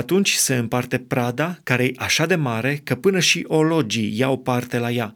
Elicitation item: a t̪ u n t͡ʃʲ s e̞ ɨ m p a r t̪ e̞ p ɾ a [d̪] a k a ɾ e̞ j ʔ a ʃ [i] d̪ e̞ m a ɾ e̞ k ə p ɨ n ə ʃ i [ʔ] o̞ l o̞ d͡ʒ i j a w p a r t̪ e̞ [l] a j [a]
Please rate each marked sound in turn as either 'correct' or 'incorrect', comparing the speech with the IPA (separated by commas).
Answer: correct, incorrect, correct, correct, correct